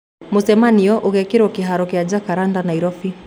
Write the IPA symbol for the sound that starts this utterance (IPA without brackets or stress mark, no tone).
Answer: m